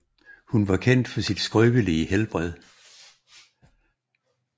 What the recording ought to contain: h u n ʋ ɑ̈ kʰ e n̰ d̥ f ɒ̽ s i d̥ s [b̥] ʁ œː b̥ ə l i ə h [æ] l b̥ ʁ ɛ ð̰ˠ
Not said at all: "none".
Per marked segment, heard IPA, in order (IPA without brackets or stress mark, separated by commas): ɡ̥, e